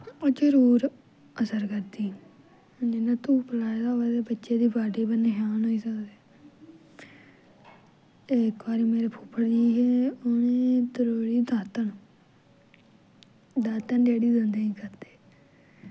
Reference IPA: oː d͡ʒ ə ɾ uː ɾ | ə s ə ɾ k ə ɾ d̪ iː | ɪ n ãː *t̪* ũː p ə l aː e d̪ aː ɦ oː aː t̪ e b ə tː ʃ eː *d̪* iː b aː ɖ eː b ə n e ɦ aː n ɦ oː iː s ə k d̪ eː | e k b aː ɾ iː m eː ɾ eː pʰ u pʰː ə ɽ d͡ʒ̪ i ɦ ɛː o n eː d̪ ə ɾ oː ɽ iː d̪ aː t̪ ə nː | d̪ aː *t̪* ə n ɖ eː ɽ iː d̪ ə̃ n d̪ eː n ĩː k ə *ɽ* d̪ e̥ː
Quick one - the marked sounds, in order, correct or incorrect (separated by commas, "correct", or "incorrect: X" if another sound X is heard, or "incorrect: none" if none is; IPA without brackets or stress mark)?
correct, correct, correct, incorrect: ɾ